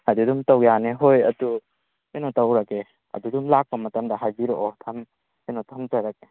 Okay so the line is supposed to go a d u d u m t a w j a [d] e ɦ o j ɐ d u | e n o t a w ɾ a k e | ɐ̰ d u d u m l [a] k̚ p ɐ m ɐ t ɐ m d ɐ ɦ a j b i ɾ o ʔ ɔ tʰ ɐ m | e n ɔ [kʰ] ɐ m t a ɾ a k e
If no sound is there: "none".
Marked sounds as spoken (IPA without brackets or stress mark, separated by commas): n, a, tʰ